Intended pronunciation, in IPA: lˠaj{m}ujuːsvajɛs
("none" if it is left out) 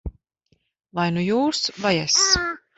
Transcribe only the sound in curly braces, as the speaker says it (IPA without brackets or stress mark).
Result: n